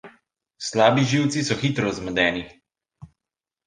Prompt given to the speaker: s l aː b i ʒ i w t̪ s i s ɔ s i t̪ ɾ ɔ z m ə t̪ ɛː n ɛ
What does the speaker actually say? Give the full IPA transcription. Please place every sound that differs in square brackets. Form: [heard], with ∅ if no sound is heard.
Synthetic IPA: s l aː b i ʒ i w t̪ s i s ɔ [x] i t̪ ɾ ɔ z m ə [d̪] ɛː n [i]